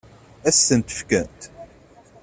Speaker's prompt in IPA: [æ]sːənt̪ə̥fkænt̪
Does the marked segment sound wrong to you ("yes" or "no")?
no